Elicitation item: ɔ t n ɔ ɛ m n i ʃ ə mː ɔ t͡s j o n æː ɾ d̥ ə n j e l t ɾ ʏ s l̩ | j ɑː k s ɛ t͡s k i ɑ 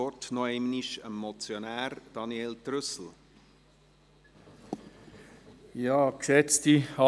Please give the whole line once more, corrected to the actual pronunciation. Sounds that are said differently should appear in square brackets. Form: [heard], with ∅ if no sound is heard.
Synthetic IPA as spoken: ɔ t n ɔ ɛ m n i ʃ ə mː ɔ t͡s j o n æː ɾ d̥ [ɑ] n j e l t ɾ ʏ s l̩ | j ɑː k s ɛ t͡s [t] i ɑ